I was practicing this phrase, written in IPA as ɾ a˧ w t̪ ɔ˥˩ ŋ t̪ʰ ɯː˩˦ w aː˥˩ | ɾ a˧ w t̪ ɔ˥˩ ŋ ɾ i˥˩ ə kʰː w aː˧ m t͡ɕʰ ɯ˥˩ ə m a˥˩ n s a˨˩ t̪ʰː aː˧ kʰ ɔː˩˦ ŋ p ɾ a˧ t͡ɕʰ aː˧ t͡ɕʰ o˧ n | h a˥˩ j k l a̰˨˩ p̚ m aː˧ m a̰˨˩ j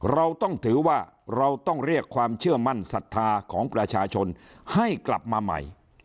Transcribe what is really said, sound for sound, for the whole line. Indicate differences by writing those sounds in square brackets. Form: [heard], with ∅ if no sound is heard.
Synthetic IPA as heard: ɾ a˧ w t̪ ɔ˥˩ ŋ t̪ʰ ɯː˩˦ w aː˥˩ | ɾ a˧ w t̪ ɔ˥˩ ŋ ɾ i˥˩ ə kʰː w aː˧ m t͡ɕʰ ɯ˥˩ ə m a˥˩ n s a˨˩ t̪ʰː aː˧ kʰ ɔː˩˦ ŋ p ɾ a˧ t͡ɕʰ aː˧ t͡ɕʰ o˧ n | h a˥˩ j k l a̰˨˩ p̚ m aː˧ m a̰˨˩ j